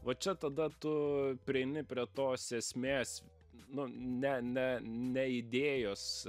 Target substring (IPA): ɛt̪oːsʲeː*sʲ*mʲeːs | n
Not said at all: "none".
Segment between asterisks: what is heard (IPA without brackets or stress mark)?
sʲ